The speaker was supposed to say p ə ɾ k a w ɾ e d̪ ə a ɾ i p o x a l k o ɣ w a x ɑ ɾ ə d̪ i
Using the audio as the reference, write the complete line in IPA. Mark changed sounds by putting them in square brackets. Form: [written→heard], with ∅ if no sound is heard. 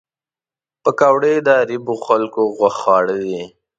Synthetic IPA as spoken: p ə [ɾ→∅] k a w [ɾ→ɽ] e d̪ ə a ɾ i [p→b] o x a l k o ɣ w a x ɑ [ɾ→ɽ] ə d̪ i